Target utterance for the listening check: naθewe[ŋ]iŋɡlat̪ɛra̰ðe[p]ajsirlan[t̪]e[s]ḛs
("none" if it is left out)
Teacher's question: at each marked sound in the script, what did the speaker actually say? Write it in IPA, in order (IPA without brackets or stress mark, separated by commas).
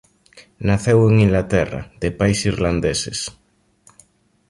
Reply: ŋ, p, d̪, s